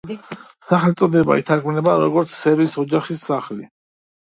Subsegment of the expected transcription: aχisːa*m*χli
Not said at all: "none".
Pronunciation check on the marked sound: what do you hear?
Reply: none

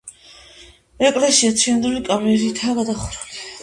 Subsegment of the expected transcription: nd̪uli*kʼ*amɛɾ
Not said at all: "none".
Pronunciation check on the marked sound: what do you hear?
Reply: kʼ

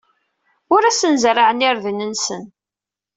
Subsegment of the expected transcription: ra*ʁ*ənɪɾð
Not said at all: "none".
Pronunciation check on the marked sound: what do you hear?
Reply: ʕ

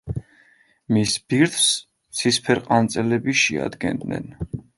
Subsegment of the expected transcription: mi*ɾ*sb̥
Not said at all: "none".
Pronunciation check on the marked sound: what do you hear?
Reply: none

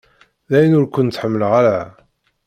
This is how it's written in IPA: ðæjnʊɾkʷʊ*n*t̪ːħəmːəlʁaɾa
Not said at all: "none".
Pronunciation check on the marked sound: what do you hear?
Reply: n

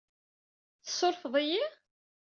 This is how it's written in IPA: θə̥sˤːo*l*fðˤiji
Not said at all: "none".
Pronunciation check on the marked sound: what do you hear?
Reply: ɾ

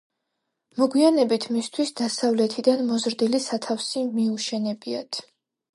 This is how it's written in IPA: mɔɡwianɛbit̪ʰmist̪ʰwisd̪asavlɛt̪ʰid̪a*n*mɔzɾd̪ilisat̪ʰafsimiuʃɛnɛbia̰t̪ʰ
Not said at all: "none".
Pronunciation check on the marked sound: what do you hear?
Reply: n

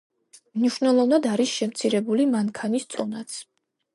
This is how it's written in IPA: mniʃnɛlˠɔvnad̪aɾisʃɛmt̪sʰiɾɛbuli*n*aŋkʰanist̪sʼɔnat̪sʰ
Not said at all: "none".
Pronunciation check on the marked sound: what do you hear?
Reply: m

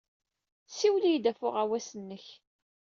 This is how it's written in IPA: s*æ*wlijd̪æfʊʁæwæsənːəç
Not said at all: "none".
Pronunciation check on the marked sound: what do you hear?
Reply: i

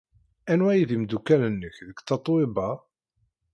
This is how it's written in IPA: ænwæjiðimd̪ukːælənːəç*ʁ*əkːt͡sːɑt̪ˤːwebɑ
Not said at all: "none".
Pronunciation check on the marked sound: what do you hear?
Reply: ð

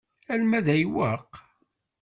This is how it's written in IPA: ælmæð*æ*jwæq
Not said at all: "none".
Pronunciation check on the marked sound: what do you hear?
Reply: æ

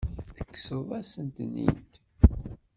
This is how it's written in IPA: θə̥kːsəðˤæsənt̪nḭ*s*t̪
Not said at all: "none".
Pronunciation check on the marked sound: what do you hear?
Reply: none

